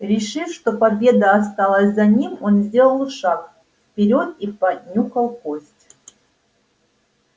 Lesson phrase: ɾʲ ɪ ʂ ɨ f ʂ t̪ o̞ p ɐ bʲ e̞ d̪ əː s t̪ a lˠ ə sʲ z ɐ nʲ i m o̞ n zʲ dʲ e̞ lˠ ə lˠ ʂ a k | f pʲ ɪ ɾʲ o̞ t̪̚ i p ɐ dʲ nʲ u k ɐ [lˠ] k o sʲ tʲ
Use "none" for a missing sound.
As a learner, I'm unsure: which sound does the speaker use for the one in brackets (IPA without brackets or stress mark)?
lˠ